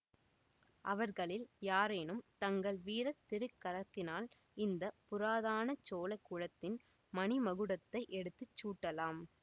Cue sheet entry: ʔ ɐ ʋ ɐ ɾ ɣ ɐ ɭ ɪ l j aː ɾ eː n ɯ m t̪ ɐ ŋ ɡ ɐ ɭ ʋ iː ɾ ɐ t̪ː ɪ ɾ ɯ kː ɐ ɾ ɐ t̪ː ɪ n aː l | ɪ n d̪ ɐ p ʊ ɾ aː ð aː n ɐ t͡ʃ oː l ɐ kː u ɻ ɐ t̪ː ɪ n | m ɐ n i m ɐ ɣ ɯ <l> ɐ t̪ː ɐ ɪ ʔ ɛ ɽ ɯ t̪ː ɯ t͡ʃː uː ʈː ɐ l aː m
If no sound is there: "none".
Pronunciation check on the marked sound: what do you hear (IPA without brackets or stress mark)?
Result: ɽ